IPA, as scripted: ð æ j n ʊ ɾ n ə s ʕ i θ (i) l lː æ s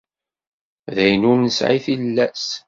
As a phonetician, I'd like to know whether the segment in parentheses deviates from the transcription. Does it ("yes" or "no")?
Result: no